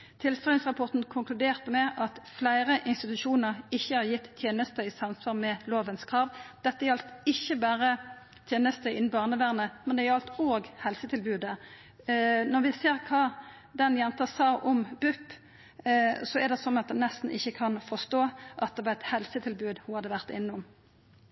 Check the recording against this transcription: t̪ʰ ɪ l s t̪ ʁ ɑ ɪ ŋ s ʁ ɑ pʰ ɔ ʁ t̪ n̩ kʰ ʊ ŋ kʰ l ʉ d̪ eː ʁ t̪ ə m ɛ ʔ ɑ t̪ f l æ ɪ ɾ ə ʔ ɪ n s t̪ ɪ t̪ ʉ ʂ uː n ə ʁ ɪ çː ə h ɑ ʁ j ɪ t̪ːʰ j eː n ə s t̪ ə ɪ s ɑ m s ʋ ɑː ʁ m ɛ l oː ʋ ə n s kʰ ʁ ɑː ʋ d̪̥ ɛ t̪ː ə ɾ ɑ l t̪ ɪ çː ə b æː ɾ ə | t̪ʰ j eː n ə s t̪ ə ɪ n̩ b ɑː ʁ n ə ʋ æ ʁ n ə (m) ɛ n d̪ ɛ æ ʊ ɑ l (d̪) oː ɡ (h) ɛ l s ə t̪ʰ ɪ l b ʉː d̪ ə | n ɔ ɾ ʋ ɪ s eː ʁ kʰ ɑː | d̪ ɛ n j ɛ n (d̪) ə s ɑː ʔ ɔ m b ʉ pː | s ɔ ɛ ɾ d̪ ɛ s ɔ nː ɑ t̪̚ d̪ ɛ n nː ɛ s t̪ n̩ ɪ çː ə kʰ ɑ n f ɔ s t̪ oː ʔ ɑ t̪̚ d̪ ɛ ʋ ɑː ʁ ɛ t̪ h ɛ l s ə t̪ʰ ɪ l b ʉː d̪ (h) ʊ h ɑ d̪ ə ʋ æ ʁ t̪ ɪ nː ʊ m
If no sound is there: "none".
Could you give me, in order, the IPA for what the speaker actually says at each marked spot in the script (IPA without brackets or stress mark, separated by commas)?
m, t̪, h, t̪, h